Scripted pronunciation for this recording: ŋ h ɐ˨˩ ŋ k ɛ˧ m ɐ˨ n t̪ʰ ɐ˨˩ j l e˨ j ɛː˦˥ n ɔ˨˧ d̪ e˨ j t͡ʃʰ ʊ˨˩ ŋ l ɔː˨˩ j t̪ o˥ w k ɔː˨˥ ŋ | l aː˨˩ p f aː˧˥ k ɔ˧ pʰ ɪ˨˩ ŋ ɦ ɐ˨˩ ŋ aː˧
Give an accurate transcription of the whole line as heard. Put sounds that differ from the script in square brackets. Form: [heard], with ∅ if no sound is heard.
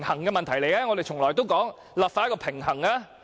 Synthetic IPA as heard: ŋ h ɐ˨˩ ŋ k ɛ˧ m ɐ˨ n t̪ʰ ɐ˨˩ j l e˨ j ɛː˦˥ [ŋ] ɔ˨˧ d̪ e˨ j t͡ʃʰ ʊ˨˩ ŋ l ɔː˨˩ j t̪ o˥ w k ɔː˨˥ ŋ | l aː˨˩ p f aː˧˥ k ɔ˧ pʰ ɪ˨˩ ŋ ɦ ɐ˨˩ ŋ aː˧